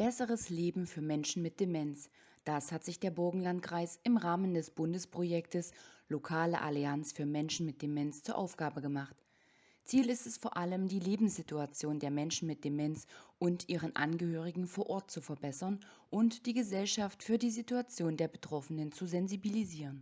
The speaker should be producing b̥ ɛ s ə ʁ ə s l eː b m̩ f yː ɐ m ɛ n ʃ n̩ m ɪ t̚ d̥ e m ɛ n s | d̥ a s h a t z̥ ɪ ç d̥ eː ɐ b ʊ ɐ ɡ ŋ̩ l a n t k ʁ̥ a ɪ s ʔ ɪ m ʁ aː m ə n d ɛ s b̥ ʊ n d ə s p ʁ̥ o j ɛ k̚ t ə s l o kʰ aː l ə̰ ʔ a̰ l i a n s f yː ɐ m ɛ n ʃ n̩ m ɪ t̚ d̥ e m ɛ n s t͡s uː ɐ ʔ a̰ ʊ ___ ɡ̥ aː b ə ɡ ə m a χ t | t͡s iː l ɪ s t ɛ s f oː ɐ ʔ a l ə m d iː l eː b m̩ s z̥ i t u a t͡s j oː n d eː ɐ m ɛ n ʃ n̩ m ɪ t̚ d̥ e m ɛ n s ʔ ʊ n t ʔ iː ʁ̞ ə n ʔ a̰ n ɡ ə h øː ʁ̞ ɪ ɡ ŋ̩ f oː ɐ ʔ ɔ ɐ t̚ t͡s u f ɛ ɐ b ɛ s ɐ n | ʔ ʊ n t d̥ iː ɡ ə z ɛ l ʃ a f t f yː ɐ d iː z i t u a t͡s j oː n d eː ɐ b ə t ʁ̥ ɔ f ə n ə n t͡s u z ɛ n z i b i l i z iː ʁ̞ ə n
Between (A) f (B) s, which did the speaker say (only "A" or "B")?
A